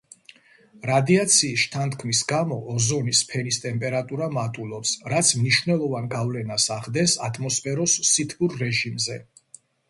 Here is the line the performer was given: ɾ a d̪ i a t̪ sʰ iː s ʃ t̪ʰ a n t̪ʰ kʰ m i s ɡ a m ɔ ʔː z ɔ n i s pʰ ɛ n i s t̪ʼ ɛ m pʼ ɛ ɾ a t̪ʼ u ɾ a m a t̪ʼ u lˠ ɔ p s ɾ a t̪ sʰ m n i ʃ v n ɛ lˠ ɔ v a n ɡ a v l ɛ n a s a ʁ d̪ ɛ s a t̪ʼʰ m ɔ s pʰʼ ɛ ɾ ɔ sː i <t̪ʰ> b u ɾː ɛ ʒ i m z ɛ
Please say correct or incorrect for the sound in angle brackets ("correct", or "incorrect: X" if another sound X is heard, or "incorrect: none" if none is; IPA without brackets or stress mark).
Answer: correct